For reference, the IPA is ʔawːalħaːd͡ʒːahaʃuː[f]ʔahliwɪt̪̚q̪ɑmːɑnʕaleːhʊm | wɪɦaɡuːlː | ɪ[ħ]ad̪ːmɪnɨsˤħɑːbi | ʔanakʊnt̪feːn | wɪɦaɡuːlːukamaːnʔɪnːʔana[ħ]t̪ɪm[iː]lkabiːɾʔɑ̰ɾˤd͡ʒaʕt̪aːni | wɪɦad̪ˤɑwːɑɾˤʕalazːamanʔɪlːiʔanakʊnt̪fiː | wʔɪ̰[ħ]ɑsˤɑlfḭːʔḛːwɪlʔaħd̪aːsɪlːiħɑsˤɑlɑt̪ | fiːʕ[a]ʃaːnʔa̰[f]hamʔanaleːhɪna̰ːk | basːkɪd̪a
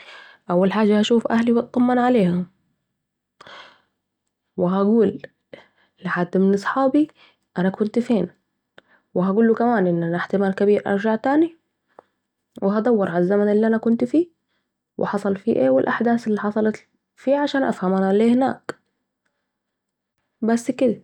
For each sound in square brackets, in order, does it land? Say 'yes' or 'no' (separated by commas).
yes, yes, yes, no, yes, yes, yes